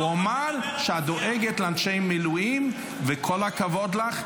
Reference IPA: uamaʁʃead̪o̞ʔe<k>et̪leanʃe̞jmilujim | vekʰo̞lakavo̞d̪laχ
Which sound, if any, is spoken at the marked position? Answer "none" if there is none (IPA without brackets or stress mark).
ɡ